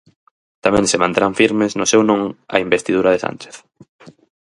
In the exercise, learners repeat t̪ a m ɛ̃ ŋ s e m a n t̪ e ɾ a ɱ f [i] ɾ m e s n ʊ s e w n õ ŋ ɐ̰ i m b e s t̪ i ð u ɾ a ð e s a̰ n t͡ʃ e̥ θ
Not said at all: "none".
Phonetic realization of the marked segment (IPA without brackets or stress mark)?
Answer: i